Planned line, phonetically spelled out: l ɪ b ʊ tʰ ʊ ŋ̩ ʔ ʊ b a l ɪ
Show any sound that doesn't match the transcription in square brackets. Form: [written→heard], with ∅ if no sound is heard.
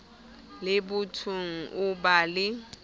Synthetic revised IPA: l ɪ b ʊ tʰ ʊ ŋ̩ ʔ ʊ b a l ɪ